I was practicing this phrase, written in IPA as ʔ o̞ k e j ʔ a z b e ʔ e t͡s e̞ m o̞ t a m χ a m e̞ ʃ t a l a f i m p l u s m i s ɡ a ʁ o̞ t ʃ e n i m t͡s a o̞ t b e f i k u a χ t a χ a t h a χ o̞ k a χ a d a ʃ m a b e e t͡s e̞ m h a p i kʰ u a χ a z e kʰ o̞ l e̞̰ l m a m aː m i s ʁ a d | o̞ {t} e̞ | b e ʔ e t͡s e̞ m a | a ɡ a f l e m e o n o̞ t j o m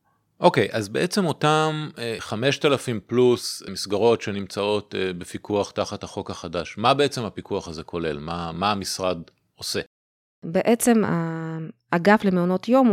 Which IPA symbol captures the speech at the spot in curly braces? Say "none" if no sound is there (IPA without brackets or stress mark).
s